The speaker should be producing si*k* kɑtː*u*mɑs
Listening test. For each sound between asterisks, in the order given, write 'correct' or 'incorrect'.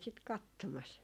incorrect: t, incorrect: o

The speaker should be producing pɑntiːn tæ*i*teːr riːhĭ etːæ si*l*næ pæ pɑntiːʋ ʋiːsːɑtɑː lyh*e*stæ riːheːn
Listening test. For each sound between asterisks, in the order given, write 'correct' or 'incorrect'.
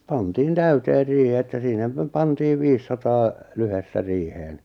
incorrect: y, incorrect: none, correct

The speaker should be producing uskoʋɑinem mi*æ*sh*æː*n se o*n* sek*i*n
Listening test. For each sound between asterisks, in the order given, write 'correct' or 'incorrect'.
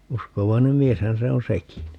incorrect: e, incorrect: æ, correct, correct

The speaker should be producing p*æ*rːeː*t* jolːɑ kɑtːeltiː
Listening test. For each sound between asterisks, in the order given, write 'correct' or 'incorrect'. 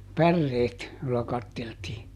correct, correct

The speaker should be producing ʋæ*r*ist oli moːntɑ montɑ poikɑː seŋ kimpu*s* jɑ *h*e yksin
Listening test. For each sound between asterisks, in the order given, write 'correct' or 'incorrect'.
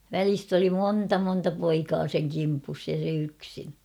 incorrect: l, correct, incorrect: s

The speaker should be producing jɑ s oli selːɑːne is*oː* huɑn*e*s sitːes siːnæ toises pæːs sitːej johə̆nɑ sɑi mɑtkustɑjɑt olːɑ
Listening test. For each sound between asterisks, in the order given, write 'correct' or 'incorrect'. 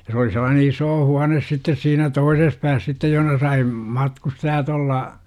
correct, correct

